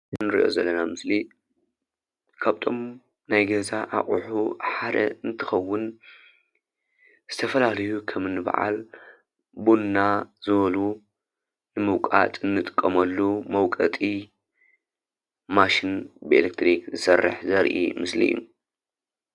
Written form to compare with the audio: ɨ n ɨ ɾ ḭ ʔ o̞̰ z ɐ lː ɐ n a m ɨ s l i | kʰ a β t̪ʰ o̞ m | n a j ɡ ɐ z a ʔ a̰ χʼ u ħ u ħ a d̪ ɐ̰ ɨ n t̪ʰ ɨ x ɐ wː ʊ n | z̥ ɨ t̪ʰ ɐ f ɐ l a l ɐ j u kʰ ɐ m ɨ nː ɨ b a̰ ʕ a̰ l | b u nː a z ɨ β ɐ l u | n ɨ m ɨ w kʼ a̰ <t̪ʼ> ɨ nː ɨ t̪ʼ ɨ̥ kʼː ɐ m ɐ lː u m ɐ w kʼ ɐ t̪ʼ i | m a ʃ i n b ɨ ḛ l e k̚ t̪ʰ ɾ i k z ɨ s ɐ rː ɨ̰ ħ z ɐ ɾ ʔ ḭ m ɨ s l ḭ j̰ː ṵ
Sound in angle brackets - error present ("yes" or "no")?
no